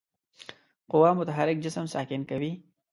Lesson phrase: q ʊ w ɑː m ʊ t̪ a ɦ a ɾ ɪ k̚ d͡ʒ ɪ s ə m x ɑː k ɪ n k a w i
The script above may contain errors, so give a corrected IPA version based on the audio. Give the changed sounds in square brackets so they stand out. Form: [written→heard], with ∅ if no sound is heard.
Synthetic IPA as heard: q ʊ w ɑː m ʊ t̪ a ɦ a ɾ ɪ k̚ d͡ʒ ɪ s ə m [x→s] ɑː k ɪ n k a w i